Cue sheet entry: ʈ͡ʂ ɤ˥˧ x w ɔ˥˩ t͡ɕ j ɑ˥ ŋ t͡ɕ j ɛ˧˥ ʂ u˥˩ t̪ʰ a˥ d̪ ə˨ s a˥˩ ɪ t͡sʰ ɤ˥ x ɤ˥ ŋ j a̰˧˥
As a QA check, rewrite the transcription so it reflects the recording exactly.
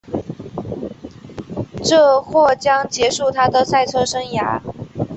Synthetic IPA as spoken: ʈ͡ʂ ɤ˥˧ x w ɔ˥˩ t͡ɕ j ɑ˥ ŋ t͡ɕ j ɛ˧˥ ʂ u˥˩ t̪ʰ a˥ d̪ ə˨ s a˥˩ ɪ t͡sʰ ɤ˥ ʂ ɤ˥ ŋ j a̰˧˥